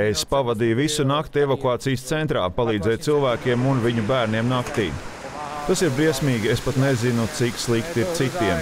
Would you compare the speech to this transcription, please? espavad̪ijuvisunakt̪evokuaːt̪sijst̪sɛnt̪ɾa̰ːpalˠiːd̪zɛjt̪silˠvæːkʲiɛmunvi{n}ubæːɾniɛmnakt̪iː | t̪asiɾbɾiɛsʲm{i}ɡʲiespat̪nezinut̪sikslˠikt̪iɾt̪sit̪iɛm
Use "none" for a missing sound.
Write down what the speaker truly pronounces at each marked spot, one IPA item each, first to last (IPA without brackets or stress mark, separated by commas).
ɲ, iː